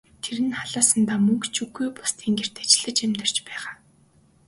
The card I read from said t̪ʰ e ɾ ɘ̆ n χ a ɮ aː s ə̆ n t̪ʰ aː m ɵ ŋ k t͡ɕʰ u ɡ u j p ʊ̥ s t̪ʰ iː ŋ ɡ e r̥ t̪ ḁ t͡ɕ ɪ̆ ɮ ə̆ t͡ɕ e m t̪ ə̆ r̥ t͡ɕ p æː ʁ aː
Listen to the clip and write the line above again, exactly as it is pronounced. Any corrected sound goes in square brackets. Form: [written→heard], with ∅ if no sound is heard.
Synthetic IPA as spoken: t̪ʰ e ɾ ɘ̆ n χ a ɮ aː s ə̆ n [t̪ʰ→t̪] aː m ɵ ŋ k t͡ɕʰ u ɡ u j p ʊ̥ s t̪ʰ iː ŋ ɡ e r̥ t̪ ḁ t͡ɕ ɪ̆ ɮ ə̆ t͡ɕ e m t̪ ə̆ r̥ t͡ɕ p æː ʁ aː